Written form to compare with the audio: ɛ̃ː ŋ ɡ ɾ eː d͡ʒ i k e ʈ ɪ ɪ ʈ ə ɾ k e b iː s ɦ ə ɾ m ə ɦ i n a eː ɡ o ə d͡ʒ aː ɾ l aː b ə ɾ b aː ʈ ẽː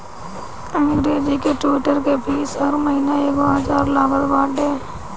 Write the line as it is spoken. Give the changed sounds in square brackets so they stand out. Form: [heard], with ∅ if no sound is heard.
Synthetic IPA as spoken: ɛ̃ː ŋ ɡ ɾ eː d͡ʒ i k e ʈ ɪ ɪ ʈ ə ɾ k e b iː s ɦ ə ɾ m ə ɦ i n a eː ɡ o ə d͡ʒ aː ɾ l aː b ə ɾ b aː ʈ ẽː